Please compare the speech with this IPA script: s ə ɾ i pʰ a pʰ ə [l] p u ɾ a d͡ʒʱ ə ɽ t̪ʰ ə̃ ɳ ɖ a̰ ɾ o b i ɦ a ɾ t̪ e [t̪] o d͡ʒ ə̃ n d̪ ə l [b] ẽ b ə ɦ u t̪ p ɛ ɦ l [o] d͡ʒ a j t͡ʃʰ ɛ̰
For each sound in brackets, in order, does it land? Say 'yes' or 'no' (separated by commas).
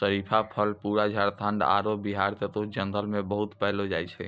yes, yes, no, yes